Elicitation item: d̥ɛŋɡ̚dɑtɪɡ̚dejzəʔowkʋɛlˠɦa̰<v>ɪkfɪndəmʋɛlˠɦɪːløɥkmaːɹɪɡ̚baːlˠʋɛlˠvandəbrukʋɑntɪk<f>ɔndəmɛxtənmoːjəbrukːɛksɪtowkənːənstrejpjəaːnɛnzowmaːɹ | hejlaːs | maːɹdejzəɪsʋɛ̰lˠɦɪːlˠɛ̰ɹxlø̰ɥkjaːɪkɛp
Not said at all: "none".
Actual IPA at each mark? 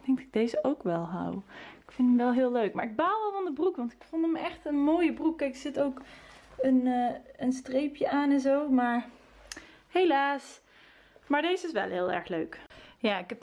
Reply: w, f

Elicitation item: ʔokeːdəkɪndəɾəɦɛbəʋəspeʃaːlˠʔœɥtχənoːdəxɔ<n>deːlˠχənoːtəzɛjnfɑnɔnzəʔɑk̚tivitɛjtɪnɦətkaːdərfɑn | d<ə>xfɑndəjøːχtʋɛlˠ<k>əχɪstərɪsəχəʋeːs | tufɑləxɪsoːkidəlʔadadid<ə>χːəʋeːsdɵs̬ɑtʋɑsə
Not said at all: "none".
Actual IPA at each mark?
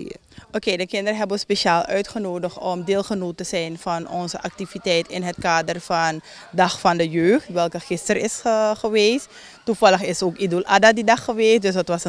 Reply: m, ɑ, k, ɑ

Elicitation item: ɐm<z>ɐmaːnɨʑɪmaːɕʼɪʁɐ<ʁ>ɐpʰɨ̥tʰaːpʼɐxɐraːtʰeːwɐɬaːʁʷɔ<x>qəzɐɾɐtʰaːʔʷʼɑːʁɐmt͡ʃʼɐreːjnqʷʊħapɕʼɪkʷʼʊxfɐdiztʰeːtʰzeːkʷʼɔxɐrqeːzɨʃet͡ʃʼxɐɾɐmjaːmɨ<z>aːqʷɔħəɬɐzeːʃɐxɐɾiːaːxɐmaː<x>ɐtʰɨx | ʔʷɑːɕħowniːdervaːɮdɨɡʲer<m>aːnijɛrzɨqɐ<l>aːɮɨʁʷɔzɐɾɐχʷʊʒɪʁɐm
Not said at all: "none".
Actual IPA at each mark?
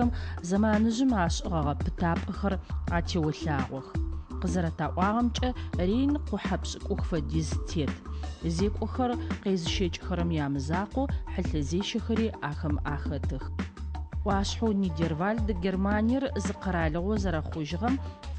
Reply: z, ʁ, x, z, x, m, ɾ

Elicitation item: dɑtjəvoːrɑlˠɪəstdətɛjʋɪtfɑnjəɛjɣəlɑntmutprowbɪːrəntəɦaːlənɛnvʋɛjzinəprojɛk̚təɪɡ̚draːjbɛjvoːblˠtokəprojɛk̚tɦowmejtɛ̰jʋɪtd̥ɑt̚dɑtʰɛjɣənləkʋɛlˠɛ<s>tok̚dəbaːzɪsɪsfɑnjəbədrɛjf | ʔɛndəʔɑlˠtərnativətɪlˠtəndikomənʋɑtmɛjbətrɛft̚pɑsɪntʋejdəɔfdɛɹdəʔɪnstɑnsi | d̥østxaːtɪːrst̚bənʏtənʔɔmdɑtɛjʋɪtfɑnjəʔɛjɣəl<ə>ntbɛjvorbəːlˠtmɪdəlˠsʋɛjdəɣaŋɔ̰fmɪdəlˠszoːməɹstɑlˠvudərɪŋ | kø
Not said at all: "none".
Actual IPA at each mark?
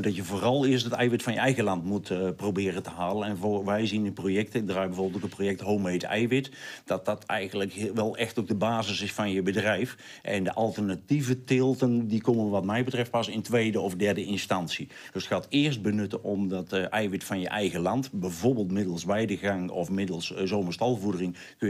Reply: x, ɑ

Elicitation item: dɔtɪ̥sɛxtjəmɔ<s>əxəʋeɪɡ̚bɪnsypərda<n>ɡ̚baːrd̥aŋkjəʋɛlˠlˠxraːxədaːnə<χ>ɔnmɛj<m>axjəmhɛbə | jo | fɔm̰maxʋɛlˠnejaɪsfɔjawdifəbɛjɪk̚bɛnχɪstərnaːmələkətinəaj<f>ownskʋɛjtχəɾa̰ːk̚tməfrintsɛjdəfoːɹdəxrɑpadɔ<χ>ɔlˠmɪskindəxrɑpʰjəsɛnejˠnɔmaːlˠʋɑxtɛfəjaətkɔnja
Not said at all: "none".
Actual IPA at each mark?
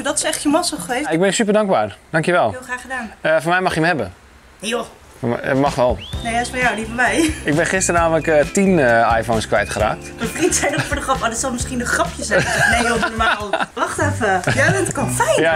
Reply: s, ŋ, f, m, f, s

